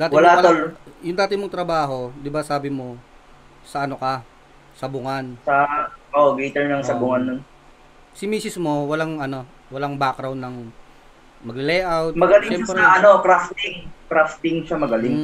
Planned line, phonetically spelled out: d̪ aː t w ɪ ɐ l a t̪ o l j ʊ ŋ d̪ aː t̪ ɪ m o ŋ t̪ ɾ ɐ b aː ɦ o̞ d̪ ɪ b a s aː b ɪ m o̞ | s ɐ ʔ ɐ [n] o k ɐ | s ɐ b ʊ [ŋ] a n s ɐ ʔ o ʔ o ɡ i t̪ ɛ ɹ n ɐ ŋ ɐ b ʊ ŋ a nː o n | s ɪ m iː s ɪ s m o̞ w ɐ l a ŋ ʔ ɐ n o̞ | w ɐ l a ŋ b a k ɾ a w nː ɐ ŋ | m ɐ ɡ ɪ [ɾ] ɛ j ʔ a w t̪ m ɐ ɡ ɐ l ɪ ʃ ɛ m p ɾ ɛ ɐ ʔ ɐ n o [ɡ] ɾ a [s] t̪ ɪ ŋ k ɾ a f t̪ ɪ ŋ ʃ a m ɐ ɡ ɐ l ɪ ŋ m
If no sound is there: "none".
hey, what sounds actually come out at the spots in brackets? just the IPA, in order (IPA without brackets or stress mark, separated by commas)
n, ŋ, l, k, f